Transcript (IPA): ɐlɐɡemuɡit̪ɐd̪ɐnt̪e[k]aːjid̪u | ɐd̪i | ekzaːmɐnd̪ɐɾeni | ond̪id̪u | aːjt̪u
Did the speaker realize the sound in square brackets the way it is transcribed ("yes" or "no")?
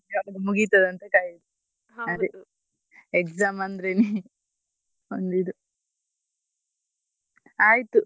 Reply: yes